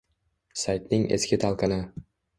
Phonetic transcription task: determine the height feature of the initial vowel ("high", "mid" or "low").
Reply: low